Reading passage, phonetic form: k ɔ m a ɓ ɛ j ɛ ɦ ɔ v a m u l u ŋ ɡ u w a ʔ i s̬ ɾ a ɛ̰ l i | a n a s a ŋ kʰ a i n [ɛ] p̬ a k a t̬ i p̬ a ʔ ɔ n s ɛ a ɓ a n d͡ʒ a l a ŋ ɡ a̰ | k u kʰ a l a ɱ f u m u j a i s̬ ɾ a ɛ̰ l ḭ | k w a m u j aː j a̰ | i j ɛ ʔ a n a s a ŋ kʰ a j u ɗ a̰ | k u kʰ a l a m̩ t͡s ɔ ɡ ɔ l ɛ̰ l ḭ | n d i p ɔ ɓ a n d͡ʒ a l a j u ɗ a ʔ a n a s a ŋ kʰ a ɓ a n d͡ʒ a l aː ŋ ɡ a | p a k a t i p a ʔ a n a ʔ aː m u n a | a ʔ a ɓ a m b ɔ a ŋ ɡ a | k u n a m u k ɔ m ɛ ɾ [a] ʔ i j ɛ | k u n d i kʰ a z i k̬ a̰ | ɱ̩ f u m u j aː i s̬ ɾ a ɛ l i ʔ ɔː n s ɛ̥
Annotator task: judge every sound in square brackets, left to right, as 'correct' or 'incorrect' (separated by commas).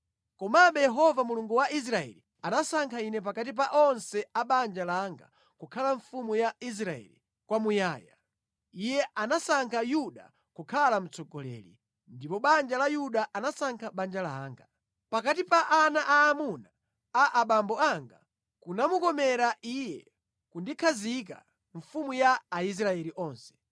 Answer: correct, correct